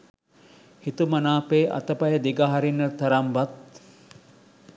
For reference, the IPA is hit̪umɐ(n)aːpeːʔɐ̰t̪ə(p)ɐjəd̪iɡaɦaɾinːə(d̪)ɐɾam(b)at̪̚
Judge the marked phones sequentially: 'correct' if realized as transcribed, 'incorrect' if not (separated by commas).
correct, correct, incorrect, correct